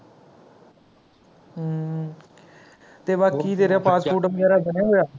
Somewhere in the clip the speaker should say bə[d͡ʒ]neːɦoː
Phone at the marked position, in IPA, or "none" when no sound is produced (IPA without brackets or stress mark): none